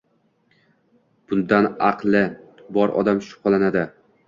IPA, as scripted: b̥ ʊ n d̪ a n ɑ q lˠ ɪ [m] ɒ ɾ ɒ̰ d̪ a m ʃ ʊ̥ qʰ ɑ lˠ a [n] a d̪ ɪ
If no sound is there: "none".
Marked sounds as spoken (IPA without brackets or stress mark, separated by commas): b, n